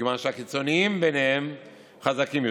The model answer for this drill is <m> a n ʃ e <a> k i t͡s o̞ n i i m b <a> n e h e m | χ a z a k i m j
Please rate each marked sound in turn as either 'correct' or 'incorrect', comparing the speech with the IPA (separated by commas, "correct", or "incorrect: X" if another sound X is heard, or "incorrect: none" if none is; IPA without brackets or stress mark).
correct, correct, incorrect: e